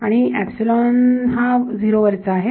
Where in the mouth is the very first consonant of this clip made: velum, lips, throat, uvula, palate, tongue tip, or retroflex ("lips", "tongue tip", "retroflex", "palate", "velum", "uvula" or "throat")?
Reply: retroflex